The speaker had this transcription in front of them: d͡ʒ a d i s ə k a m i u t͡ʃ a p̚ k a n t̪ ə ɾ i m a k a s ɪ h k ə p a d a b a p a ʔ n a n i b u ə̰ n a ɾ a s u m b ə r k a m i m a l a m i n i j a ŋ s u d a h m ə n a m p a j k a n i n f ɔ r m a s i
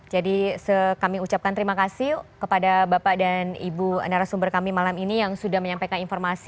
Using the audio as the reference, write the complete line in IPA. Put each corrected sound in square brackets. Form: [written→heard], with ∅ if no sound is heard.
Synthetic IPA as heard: d͡ʒ a d i s ə k a m i u t͡ʃ a p̚ k a n t̪ ə ɾ i m a k a s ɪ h k ə p a d a b a p a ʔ [n→d] a n i b u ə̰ n a ɾ a s u m b ə r k a m i m a l a m i n i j a ŋ s u d a h m ə [n→ɲ] a m p a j k a n i n f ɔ r m a s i